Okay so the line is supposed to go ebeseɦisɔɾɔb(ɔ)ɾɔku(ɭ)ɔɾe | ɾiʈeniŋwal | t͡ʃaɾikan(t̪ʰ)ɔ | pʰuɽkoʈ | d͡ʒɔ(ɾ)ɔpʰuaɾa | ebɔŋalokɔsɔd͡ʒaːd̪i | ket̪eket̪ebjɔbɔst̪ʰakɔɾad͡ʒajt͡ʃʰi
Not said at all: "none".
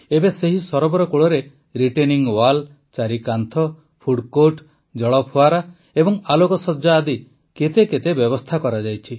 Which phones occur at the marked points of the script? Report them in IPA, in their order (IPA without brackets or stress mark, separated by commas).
ɔ, ɭ, t̪ʰ, ɭ